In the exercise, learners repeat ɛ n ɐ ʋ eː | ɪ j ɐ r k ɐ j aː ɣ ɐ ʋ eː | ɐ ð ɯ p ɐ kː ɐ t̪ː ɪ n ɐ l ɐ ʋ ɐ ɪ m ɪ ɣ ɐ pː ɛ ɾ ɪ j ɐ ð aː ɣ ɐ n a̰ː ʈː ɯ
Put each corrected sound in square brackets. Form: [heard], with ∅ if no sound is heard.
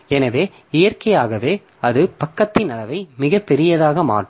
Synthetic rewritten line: ɛ n ɐ ʋ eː | ɪ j ɐ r k ɐ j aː ɣ ɐ ʋ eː | ɐ ð ɯ p ɐ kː ɐ t̪ː ɪ n ɐ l ɐ ʋ ɐ ɪ m ɪ ɣ ɐ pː ɛ ɾ ɪ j ɐ ð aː ɣ ɐ [m] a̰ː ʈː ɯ